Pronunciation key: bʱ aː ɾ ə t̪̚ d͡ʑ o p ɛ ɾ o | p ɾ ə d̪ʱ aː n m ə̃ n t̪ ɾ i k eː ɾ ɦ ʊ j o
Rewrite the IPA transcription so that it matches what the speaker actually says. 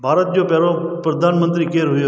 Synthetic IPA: bʱ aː ɾ ə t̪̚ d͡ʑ o p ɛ ɾ o | p ɾ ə d̪ʱ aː n m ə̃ n t̪ ɾ i k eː ɾ ɦ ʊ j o